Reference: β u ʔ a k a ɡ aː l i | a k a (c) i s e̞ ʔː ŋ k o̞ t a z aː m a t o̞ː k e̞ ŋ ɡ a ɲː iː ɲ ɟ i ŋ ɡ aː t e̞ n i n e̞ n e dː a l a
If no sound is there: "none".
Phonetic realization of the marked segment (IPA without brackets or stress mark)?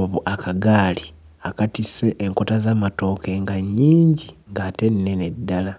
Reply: t